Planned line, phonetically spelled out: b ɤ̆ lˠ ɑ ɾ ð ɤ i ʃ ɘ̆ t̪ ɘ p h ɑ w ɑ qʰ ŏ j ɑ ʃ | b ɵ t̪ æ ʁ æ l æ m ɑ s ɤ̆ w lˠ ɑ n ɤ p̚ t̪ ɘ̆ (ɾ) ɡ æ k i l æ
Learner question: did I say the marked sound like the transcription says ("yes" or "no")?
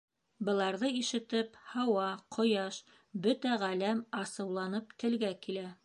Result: no